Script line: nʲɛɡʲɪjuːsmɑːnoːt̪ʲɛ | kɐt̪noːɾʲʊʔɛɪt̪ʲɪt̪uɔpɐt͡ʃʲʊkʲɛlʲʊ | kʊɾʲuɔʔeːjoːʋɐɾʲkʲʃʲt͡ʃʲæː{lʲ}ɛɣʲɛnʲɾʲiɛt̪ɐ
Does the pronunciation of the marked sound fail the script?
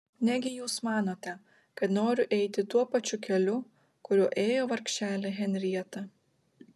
no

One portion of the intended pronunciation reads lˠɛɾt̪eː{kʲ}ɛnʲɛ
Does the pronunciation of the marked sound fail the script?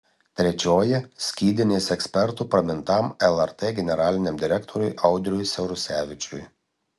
yes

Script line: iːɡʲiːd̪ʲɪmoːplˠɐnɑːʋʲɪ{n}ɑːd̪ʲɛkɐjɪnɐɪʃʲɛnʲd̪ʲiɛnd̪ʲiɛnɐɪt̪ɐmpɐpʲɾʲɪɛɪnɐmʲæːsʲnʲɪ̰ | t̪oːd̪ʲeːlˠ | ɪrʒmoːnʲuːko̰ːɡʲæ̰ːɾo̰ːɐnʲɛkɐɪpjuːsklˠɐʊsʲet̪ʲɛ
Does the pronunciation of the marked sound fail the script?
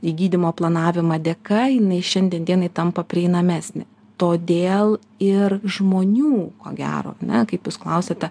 yes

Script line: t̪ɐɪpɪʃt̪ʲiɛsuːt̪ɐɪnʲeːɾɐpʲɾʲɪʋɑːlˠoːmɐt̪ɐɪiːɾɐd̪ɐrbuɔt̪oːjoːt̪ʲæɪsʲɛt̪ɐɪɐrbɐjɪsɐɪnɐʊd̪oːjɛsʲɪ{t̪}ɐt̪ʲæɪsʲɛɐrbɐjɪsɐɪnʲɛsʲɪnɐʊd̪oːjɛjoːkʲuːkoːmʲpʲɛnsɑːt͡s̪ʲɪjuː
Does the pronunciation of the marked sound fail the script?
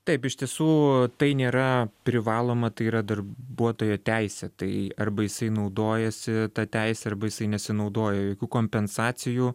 no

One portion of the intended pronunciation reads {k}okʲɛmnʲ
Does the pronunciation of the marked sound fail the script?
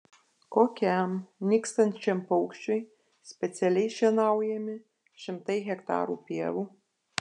no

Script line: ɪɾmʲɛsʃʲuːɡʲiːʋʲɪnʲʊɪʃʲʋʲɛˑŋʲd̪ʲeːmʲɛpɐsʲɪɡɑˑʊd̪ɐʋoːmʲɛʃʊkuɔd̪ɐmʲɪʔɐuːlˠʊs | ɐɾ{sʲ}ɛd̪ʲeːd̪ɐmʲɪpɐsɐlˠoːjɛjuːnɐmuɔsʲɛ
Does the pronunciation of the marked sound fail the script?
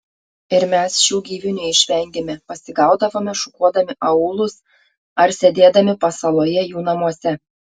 no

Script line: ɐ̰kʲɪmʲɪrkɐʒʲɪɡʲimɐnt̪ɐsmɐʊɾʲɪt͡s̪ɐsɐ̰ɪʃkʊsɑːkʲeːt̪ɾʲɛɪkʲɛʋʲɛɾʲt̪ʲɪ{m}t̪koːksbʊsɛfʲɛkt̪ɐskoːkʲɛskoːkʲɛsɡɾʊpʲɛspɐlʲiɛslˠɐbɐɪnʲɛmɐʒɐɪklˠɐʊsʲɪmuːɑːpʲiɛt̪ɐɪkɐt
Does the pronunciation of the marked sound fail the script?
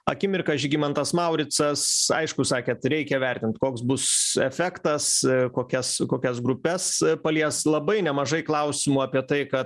yes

